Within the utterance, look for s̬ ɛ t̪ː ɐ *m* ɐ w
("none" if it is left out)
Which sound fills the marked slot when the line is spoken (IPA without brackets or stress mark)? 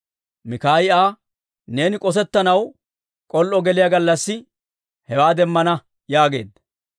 n